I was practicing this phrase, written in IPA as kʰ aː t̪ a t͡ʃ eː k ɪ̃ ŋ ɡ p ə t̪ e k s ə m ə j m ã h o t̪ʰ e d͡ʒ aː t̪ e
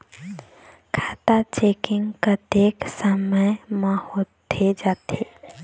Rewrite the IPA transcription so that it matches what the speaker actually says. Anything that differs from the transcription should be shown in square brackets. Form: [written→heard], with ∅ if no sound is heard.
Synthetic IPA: kʰ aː t̪ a t͡ʃ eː k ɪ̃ ŋ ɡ [p→k] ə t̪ e k s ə m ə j m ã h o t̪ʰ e d͡ʒ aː t̪ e

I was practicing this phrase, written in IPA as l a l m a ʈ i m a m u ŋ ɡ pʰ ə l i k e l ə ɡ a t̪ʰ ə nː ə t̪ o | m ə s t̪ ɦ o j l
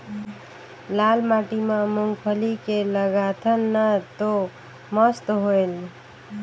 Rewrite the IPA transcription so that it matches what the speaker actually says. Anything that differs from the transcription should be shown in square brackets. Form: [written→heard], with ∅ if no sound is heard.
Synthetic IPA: l a l m a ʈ i m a m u ŋ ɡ pʰ ə l i k e l ə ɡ a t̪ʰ ə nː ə t̪ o | m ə s t̪ ɦ o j l

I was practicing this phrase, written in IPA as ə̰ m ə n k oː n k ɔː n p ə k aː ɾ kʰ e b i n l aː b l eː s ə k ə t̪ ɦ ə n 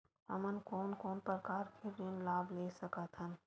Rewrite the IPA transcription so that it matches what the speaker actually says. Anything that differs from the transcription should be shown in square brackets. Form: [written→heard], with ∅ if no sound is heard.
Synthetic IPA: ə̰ m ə n k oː n k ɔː n p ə k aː ɾ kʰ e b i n l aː b l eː s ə k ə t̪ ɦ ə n

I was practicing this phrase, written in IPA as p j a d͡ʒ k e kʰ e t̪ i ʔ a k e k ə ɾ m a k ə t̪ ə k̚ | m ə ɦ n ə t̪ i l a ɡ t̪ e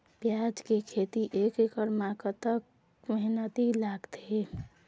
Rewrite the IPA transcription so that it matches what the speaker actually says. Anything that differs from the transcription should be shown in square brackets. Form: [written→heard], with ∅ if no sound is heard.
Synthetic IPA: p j a d͡ʒ k e kʰ e t̪ i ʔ [a→e] k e k ə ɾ m a k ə t̪ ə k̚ | m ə ɦ n ə t̪ i l a ɡ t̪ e

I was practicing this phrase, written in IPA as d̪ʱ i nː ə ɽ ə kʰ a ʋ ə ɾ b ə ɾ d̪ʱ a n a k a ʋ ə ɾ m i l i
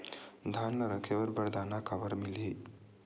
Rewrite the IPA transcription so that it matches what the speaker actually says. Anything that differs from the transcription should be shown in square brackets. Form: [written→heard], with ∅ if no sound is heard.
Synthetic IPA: d̪ʱ [i→a] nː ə [ɽ→ɾ] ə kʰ [a→e] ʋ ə ɾ b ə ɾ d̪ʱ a n a k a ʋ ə ɾ m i l i

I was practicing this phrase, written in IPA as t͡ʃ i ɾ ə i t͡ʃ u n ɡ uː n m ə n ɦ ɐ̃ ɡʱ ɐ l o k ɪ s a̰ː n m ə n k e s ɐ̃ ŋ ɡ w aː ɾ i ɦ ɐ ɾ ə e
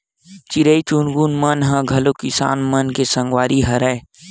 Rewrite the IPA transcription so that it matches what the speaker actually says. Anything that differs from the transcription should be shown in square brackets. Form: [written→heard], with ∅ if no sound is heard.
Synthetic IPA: t͡ʃ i ɾ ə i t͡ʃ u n ɡ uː n m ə n ɦ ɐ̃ ɡʱ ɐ l o k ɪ s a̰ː n m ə n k e s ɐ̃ ŋ ɡ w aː ɾ i ɦ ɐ ɾ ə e

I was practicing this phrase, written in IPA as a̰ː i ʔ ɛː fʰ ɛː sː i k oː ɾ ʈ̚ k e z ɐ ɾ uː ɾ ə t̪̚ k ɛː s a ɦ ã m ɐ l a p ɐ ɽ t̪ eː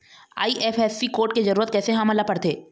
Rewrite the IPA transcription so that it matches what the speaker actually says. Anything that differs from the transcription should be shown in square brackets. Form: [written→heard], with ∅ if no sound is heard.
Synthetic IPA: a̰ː i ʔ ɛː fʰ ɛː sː i k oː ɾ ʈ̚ k e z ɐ ɾ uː ɾ ə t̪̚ k ɛː s [a→e] ɦ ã m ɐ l a p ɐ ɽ t̪ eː

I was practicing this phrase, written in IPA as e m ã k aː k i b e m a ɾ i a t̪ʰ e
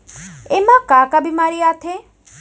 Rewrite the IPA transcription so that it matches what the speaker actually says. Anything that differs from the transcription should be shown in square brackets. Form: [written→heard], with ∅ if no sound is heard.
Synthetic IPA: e m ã k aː k [i→a] b [e→i] m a ɾ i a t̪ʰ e

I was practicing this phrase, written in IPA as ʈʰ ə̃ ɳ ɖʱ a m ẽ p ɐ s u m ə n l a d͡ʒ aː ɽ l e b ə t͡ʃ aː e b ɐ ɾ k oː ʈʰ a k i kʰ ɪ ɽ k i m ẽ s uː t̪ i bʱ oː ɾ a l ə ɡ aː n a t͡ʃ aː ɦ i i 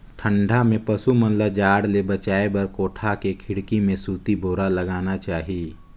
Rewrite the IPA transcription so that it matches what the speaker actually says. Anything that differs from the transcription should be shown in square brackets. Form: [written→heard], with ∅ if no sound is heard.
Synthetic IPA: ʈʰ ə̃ ɳ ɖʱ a m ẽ p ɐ s u m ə n l a d͡ʒ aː ɽ l e b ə t͡ʃ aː e b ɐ ɾ k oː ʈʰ a k [i→e] kʰ ɪ ɽ k i m ẽ s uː t̪ i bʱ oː ɾ a l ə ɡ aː n a t͡ʃ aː ɦ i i

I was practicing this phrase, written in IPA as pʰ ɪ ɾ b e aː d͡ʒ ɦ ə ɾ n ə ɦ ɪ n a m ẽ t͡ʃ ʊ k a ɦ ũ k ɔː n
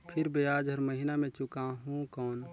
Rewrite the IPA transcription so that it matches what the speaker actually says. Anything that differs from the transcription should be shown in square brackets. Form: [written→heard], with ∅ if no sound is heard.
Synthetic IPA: pʰ ɪ ɾ b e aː d͡ʒ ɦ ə ɾ [n→m] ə ɦ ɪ n a m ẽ t͡ʃ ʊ k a ɦ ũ k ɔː n

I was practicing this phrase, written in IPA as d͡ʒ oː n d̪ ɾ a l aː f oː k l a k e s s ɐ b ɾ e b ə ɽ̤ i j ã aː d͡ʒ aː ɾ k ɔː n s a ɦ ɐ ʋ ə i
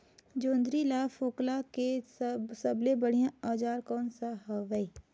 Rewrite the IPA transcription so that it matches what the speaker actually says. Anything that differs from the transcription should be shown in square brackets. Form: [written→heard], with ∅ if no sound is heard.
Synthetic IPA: d͡ʒ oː n d̪ ɾ [a→i] l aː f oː k l a k e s s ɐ b [ɾ→l] e b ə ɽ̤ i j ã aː d͡ʒ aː ɾ k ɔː n s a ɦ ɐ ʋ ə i

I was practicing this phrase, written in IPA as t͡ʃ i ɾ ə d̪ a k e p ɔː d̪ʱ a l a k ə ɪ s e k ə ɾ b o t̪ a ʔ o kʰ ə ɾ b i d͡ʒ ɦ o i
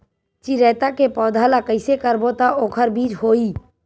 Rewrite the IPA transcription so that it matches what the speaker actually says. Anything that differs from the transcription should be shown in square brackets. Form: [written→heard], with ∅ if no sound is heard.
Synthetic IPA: t͡ʃ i ɾ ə [d̪→t̪] a k e p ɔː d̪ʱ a l a k ə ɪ s e k ə ɾ b o t̪ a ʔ o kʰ ə ɾ b i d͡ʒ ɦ o i

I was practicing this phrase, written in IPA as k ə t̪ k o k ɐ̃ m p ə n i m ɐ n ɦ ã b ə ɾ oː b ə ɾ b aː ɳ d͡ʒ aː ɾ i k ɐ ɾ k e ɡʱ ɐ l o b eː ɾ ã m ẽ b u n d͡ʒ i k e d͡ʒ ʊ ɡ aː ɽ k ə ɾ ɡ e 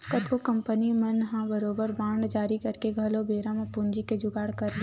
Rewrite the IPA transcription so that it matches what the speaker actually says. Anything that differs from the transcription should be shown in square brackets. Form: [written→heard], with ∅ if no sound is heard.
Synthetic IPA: k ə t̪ k o k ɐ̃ m p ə n i m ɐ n ɦ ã b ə ɾ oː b ə ɾ b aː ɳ d͡ʒ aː ɾ i k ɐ ɾ k e ɡʱ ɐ l o b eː ɾ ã m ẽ [b→p] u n d͡ʒ i k e d͡ʒ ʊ ɡ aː ɽ k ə ɾ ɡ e

